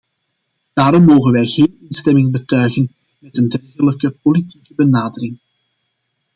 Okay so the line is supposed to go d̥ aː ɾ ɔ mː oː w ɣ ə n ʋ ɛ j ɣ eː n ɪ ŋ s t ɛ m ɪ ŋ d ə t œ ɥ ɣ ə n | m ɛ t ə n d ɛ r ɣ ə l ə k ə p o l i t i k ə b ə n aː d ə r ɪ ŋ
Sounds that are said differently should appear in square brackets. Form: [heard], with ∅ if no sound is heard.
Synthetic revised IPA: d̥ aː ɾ ɔ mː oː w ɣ ə n ʋ ɛ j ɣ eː n ɪ [n] s t ɛ m ɪ ŋ [b] ə t œ ɥ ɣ ə n | m ɛ t ə n d ɛ r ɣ ə l ə k ə p o l i t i k ə b ə n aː d ə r ɪ ŋ